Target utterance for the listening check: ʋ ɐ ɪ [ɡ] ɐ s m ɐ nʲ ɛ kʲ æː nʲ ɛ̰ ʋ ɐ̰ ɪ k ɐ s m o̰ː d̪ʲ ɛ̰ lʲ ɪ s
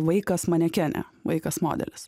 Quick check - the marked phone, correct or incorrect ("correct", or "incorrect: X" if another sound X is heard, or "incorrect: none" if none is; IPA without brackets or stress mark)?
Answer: incorrect: k